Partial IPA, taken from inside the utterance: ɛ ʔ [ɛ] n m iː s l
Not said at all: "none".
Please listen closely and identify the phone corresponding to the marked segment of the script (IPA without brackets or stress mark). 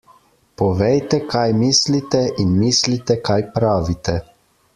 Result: i